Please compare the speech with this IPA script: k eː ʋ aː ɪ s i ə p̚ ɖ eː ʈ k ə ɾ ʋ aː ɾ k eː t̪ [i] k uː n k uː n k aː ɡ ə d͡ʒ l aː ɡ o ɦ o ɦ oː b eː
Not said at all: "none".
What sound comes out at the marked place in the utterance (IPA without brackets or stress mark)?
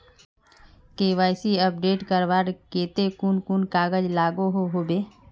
e